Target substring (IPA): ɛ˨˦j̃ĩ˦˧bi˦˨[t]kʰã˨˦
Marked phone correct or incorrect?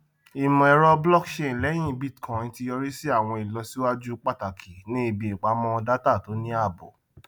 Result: correct